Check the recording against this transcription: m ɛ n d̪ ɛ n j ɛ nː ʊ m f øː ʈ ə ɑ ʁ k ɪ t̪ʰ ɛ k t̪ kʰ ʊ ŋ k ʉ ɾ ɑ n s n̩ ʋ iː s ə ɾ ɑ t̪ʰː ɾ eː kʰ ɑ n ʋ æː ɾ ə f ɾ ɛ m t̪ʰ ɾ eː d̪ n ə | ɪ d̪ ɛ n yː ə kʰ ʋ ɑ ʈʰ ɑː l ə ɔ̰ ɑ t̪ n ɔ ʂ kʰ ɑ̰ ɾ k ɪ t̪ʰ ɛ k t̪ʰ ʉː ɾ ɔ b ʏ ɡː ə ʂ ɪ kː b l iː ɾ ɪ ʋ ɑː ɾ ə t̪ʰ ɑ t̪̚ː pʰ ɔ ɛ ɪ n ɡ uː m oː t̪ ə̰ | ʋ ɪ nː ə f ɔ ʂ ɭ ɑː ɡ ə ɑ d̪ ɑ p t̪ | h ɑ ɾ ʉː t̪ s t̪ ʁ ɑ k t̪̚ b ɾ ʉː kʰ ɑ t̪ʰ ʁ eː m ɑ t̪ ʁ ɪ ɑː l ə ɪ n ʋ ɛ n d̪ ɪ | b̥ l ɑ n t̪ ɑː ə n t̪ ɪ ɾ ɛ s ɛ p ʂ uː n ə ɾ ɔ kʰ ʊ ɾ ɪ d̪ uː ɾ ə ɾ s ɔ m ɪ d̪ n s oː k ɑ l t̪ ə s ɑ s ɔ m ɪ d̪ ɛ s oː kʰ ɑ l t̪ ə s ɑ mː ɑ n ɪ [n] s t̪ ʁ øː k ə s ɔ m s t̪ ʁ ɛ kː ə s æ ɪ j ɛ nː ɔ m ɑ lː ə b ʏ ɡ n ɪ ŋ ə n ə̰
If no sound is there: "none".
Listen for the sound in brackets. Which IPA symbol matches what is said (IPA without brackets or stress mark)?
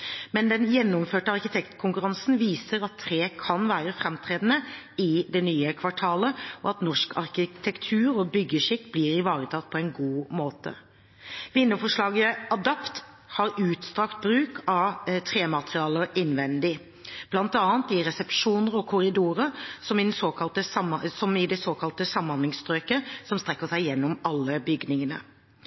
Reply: ŋ